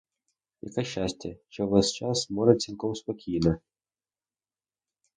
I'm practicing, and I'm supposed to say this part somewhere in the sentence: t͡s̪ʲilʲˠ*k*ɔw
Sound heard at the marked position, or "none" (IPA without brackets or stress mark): k